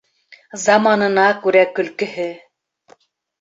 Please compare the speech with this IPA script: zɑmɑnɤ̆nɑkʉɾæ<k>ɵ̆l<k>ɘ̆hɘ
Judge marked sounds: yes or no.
yes, yes

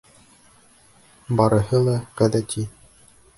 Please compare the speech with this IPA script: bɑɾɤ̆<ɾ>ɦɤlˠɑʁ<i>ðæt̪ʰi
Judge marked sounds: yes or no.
no, no

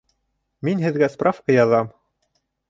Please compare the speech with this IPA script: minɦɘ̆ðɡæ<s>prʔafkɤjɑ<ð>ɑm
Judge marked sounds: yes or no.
yes, yes

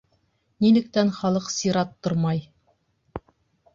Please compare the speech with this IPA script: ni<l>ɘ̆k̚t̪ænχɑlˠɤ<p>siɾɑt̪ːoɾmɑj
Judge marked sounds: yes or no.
yes, no

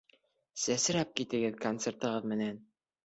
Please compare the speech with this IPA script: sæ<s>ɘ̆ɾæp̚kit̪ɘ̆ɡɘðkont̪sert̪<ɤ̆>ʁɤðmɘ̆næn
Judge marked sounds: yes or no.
yes, yes

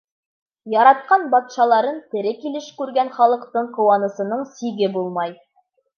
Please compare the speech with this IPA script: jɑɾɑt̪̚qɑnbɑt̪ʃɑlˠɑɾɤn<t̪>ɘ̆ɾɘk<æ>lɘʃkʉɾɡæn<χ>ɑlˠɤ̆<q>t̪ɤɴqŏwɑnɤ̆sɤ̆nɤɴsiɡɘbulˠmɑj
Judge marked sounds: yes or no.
yes, no, yes, yes

